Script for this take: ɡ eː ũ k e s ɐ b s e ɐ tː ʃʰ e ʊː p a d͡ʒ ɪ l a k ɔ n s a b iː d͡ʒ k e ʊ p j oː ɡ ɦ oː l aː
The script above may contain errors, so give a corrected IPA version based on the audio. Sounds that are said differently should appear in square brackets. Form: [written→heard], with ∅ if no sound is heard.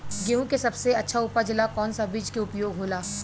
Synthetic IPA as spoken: ɡ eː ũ k e s ɐ b s e ɐ tː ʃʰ [e→a] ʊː p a d͡ʒ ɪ l a k [ɔ→ɔː] n s a b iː d͡ʒ k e ʊ p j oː ɡ ɦ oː l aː

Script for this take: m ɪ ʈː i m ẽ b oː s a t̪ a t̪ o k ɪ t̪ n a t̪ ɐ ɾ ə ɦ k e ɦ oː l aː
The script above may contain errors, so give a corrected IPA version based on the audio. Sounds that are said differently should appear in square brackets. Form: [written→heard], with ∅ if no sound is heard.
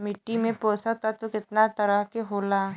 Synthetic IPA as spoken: m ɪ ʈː i m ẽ [b→p] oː s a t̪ a t̪ o k ɪ t̪ n a t̪ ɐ ɾ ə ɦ k e ɦ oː l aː

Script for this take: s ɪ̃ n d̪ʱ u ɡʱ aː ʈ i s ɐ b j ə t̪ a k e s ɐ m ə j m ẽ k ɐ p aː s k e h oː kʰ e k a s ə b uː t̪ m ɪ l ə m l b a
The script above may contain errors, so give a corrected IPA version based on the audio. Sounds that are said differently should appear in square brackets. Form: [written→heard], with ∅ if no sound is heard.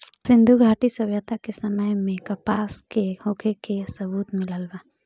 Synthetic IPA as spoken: s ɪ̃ n d̪ʱ u ɡʱ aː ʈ i s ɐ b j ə t̪ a k e s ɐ m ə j m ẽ k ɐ p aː s k e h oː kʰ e k [a→e] s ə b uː t̪ m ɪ l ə [m→∅] l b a

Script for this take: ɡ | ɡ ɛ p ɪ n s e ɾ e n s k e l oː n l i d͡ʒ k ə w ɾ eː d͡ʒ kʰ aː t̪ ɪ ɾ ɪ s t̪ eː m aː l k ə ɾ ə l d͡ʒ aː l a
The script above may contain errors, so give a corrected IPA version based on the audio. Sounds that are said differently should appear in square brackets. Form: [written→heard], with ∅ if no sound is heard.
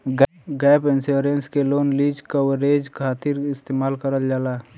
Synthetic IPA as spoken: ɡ | ɡ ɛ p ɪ n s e ɾ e n s k e l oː n l i d͡ʒ k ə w ɾ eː d͡ʒ kʰ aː t̪ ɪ ɾ ɪ s t̪ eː m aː l k ə ɾ ə l d͡ʒ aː l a

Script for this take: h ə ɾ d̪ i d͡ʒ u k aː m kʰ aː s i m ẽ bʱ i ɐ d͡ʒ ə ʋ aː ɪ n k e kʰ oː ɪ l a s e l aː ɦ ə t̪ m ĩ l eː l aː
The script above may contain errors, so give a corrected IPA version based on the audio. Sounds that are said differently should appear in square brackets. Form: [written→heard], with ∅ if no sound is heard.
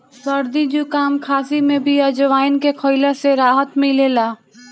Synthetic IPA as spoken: [h→s] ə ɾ d̪ i d͡ʒ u k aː m kʰ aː s i m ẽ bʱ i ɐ d͡ʒ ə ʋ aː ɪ n k e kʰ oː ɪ l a s e [l→ɾ] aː ɦ ə t̪ m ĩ l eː l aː

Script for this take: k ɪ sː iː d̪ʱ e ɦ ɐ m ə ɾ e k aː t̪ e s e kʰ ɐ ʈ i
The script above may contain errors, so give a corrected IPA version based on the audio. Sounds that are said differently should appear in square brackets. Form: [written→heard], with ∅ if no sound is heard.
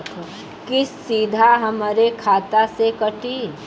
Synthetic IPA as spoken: k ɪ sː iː d̪ʱ [e→a] ɦ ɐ m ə ɾ e [k→kʰ] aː t̪ [e→a] s e [kʰ→k] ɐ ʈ i

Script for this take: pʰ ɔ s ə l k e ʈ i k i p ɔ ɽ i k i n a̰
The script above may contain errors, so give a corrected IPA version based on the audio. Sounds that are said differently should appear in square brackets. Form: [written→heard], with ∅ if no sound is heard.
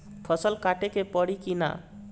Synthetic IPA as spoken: pʰ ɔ s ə l k [e→a] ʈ [i→e] k [i→e] p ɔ ɽ i k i n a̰

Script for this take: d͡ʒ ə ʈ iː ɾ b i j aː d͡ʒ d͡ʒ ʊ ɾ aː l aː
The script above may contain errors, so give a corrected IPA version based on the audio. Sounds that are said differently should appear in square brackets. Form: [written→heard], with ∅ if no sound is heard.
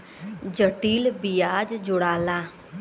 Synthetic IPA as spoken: d͡ʒ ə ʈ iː [ɾ→l] b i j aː d͡ʒ d͡ʒ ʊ [ɾ→ɽ] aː l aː

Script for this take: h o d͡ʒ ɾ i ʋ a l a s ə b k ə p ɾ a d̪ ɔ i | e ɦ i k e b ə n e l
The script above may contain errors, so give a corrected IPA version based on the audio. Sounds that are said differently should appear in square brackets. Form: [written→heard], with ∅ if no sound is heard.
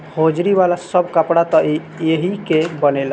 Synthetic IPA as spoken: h o d͡ʒ ɾ i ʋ a l a s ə b k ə p [ɾ→ɽ] a [d̪→t̪] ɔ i | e ɦ i k e b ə n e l

